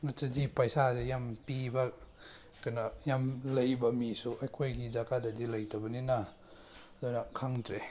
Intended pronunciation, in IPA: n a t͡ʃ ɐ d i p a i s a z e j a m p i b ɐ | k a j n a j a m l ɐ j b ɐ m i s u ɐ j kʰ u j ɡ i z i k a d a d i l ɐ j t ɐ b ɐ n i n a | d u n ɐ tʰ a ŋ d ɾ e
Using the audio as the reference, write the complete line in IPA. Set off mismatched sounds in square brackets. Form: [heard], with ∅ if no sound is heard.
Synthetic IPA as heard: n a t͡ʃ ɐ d i p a [j] s a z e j a m p i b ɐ | k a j n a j a m l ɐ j b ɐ m i s u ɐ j kʰ [o] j ɡ i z [a] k a d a d i l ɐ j t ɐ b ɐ n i n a | d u n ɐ [kʰ] a ŋ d ɾ e